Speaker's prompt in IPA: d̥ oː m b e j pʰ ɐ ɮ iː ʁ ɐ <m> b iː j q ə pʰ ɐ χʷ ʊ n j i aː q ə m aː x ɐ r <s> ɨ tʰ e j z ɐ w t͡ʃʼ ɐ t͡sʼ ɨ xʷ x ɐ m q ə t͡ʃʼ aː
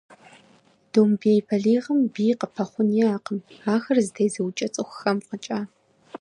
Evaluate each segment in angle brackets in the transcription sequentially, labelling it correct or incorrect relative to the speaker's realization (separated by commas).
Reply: correct, incorrect